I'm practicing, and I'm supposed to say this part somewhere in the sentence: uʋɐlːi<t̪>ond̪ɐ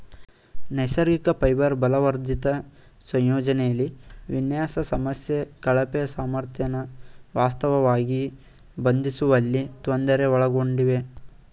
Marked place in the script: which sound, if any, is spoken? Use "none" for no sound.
t̪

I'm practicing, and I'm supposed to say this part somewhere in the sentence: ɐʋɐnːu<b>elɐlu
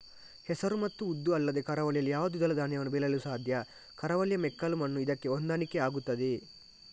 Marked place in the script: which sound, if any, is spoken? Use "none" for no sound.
b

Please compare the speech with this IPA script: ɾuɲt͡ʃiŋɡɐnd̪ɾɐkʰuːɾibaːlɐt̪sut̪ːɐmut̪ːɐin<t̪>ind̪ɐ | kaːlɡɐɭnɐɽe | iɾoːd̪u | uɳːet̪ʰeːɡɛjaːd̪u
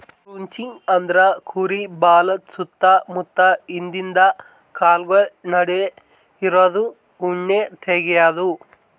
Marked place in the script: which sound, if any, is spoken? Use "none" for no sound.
d̪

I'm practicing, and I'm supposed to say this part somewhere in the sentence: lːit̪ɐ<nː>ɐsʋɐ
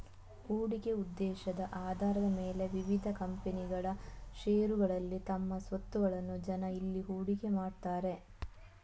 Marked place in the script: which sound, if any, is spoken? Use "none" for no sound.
mː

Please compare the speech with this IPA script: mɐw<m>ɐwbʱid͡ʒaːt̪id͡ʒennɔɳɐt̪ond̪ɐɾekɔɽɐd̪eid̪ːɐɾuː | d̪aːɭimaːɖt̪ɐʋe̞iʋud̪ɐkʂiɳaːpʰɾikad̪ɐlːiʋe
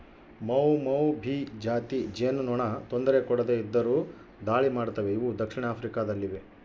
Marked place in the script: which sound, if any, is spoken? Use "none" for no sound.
m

